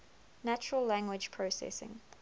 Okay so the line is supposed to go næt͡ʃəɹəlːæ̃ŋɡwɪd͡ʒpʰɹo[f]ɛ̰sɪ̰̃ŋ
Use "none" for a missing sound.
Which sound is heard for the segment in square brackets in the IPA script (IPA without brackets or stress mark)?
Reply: s